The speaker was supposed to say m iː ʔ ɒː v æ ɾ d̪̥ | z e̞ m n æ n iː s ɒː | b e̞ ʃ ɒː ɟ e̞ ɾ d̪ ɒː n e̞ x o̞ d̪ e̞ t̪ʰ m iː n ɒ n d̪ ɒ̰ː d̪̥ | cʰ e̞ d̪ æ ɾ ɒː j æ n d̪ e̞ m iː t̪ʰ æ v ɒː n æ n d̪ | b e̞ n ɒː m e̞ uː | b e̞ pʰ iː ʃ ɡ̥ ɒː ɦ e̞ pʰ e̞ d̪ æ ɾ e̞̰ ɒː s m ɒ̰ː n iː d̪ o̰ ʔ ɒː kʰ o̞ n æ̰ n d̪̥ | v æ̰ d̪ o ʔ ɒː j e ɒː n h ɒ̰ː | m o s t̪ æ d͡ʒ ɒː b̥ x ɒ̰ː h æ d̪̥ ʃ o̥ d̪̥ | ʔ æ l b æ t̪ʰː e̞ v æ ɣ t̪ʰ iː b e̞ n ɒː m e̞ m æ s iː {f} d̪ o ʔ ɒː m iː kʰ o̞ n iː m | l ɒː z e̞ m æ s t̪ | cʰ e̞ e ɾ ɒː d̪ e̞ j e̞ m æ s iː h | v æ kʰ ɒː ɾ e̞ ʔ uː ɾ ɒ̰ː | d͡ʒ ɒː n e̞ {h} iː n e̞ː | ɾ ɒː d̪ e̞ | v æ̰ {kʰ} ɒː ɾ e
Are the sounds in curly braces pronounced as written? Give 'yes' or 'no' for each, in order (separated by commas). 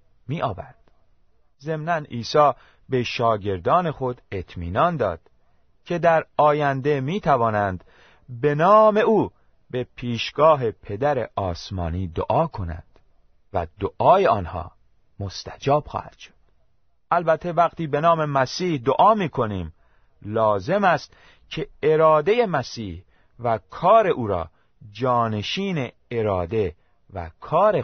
no, no, yes